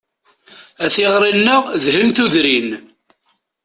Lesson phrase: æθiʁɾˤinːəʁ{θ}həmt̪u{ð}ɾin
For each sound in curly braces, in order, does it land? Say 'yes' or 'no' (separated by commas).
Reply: no, yes